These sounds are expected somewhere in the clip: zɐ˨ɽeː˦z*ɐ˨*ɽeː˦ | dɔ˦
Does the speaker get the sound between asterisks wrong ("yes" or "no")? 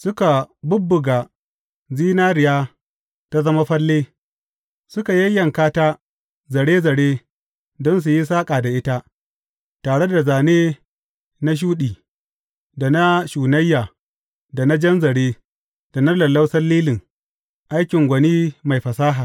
no